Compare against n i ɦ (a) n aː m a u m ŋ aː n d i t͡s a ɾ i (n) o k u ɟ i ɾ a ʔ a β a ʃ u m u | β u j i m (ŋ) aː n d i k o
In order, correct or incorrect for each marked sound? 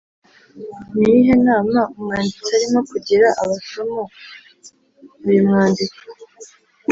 incorrect: e, incorrect: m, correct

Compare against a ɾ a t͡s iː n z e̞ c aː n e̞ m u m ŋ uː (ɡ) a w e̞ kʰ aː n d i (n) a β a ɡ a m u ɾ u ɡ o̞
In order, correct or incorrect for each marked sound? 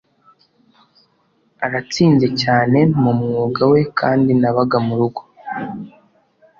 correct, correct

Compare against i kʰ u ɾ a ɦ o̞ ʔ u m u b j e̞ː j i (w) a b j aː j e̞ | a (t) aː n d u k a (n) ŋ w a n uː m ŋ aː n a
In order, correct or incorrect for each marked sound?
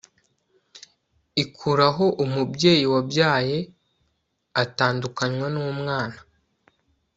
correct, correct, incorrect: ɲ

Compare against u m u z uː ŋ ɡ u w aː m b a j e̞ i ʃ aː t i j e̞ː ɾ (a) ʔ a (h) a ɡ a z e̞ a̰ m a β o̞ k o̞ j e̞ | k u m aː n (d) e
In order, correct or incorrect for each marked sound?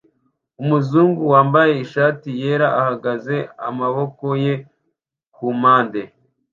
correct, correct, correct

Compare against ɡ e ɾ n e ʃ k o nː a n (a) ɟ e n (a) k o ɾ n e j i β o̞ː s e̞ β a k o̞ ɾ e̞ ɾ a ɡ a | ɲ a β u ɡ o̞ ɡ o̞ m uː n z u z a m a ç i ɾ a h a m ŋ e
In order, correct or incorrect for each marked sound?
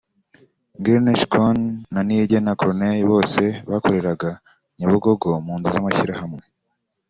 incorrect: i, correct

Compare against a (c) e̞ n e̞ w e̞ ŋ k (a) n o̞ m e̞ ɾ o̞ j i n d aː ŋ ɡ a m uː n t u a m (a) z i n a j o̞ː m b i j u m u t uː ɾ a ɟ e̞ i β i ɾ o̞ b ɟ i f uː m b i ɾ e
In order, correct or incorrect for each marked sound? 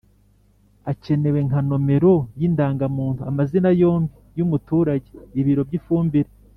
correct, correct, correct

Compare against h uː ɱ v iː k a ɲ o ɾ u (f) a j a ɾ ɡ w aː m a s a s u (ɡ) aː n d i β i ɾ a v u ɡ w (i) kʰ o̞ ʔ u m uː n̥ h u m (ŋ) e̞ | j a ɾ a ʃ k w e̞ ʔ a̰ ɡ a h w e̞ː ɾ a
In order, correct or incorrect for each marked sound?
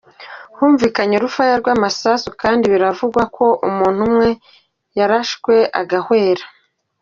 correct, incorrect: k, incorrect: a, correct

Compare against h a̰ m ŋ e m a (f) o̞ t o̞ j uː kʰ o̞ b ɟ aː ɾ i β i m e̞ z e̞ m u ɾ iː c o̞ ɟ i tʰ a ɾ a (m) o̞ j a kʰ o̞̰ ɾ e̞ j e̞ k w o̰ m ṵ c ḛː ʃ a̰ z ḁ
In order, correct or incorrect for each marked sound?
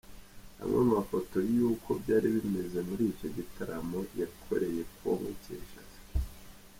correct, correct

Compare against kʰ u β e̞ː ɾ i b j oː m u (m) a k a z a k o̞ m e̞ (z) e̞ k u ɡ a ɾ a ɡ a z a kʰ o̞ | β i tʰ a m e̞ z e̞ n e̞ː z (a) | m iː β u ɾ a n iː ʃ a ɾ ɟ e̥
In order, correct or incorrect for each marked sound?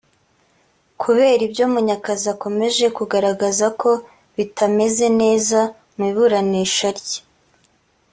incorrect: ɲ, incorrect: ʒ, correct

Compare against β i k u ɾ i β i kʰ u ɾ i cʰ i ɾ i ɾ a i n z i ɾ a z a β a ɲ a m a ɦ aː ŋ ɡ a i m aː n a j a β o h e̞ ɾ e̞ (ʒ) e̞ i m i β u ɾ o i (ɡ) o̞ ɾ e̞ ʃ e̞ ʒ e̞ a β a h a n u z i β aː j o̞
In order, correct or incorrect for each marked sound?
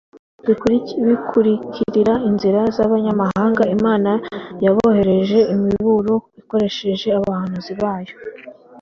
correct, incorrect: k

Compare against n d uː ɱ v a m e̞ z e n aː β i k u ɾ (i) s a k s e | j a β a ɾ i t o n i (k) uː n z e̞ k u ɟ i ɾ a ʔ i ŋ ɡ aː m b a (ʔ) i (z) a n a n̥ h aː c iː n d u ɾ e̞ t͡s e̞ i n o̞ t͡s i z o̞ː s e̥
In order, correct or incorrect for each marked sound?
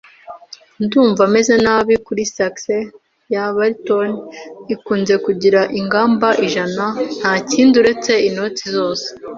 correct, correct, correct, incorrect: ʒ

